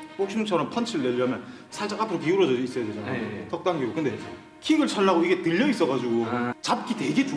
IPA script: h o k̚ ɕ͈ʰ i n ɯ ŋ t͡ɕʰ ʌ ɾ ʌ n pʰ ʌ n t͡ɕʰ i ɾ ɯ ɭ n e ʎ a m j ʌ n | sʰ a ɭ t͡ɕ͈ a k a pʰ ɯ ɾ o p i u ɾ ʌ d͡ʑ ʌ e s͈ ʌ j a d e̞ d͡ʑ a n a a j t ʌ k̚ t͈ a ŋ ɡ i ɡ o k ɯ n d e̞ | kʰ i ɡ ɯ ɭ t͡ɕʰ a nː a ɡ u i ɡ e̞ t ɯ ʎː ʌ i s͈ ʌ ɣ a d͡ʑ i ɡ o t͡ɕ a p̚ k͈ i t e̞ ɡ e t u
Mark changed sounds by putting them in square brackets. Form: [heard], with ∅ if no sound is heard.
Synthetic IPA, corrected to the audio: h o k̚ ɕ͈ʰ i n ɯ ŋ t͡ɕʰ ʌ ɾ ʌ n pʰ ʌ n t͡ɕʰ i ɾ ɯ ɭ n e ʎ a m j ʌ n | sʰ a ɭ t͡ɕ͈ a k a pʰ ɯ ɾ o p i u ɾ ʌ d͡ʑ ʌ [i] s͈ ʌ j a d e̞ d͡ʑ a n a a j t ʌ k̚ t͈ a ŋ ɡ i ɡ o k ɯ n d e̞ | kʰ i ɡ ɯ ɭ t͡ɕʰ a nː a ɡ [o] i ɡ e̞ t ɯ ʎː ʌ i s͈ ʌ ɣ a d͡ʑ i ɡ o t͡ɕ a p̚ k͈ i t e̞ ɡ e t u